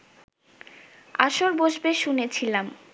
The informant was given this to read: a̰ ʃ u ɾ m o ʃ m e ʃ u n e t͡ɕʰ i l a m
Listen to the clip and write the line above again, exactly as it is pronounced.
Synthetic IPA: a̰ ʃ o ɾ b o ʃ b e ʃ u n e t͡ɕʰ i l a m